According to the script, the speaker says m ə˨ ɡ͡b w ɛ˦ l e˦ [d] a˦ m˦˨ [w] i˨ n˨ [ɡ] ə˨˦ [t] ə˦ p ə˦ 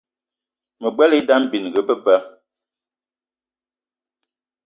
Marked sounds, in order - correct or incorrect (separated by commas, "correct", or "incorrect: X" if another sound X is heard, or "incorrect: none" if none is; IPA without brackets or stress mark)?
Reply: correct, incorrect: b, correct, incorrect: p